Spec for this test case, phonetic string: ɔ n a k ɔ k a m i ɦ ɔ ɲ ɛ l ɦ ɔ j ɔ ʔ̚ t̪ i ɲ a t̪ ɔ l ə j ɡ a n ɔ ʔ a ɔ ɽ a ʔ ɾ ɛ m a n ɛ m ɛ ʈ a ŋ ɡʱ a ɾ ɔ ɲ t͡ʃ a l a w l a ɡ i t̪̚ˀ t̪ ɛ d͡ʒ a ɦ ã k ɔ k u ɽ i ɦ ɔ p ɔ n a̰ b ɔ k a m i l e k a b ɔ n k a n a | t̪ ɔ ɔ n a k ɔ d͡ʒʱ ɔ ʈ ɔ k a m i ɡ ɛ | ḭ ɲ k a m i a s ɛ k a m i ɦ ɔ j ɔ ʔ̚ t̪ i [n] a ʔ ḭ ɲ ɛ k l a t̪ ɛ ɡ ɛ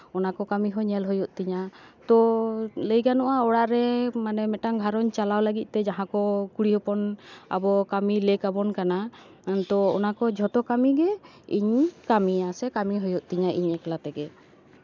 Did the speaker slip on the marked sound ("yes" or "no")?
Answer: yes